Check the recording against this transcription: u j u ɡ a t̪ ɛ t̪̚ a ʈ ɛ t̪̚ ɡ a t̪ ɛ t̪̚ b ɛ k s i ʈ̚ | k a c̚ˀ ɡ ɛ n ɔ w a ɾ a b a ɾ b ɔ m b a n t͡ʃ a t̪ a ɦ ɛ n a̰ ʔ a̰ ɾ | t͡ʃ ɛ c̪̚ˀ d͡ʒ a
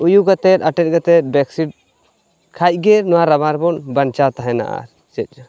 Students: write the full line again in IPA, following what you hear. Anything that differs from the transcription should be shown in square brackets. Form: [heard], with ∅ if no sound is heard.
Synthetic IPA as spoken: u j u ɡ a t̪ ɛ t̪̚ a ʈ ɛ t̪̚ ɡ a t̪ ɛ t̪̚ b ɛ k s i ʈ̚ | [kʰ] a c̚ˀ ɡ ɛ n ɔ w a ɾ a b a ɾ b ɔ [n] b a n t͡ʃ a t̪ a ɦ ɛ n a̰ ʔ a̰ ɾ | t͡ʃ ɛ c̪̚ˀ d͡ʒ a